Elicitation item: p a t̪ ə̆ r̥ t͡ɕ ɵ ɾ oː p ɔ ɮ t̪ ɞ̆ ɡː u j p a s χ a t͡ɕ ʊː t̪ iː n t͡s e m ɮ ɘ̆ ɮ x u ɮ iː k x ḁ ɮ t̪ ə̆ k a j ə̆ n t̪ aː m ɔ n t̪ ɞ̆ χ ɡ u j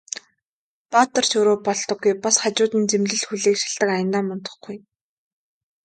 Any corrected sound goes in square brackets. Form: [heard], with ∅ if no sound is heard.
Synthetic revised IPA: p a t̪ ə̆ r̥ t͡ɕ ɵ ɾ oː p ɔ ɮ t̪ ɞ̆ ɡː u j p a s χ a t͡ɕ ʊː t̪ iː n t͡s e m ɮ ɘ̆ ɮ x u ɮ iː k [ʃ] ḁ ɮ t̪ ə̆ k a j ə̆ n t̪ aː m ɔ n t̪ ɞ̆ χ ɡ u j